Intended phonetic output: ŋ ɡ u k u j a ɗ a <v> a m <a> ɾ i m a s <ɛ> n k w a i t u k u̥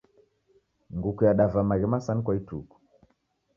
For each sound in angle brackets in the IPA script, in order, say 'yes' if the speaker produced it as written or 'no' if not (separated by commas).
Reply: yes, yes, no